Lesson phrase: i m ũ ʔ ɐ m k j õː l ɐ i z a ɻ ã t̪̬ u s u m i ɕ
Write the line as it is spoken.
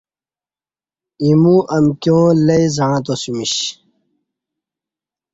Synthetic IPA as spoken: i m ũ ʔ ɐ m k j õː l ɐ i z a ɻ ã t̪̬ o s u m i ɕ